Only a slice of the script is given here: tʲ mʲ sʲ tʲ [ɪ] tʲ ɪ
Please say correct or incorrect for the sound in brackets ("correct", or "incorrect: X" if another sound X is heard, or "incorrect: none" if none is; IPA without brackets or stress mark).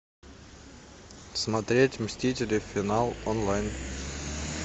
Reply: incorrect: i